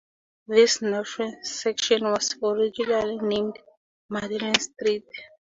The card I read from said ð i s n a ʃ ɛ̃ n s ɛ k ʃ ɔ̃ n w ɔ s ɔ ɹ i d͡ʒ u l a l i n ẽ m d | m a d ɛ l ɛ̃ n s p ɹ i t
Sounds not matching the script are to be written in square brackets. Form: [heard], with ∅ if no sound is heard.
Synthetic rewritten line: ð i s n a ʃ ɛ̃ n s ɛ k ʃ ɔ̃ n w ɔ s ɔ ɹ i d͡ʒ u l a l i n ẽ m d | m a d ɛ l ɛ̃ n s [t] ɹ i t